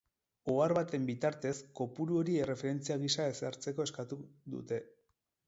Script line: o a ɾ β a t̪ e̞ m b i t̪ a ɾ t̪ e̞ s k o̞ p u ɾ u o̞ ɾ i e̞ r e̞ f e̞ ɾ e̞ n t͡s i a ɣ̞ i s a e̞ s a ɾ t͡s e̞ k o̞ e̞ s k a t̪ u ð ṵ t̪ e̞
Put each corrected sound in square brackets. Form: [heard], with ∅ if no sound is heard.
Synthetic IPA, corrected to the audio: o a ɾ β a t̪ e̞ m b i t̪ a ɾ t̪ e̞ s k o̞ p u ɾ u o̞ ɾ i e̞ r e̞ f e̞ ɾ e̞ n t͡s i a ɣ̞ i s a e̞ s a ɾ t͡s e̞ k o̞ e̞ s k a t̪ u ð ṵ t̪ e̞